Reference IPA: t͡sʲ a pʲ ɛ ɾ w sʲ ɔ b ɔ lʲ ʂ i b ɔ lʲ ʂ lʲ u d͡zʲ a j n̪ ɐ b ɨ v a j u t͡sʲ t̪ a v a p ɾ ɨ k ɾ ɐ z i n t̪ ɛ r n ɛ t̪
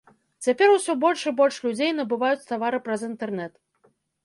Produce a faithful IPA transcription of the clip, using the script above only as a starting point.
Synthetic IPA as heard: t͡sʲ a pʲ ɛ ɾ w sʲ ɔ b ɔ lʲ ʂ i b ɔ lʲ ʂ lʲ u d͡zʲ e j n̪ ɐ b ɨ v a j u t͡sʲ t̪ a v a ɾ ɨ p ɾ ɐ z i n t̪ ɛ r n ɛ t̪